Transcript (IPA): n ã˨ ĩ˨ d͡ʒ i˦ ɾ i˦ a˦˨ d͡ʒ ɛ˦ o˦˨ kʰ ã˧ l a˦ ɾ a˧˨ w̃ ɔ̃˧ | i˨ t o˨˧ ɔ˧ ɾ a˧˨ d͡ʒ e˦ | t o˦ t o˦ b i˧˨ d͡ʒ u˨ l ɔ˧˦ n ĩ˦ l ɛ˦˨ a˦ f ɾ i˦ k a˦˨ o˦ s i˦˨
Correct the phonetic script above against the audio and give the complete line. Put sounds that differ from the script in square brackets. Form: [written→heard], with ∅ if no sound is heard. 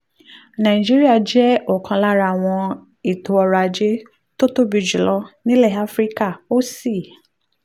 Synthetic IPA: n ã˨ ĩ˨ d͡ʒ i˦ ɾ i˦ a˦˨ d͡ʒ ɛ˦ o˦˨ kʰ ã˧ l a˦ ɾ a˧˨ w̃ ɔ̃˧ | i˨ t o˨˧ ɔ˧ ɾ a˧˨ d͡ʒ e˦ | t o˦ t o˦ b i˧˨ d͡ʒ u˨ l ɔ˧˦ n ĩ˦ l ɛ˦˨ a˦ f ɾ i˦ k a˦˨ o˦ s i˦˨